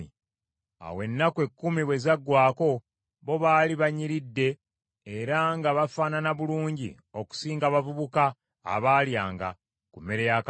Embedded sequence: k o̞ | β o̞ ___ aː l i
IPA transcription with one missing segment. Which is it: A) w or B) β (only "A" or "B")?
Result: B